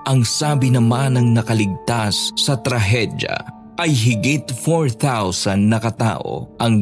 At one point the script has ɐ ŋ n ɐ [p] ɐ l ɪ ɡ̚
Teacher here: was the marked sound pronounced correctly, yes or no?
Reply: no